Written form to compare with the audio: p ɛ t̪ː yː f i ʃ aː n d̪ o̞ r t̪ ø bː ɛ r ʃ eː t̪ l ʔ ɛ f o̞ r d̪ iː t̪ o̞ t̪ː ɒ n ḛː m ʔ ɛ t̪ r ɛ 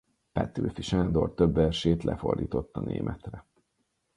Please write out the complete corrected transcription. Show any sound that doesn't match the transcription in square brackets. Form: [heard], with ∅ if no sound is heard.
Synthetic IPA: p ɛ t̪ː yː f i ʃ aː n d̪ o̞ r t̪ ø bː ɛ r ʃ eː t̪ l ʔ ɛ f o̞ r d̪ iː t̪ o̞ t̪ː ɒ n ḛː m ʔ ɛ t̪ r ɛ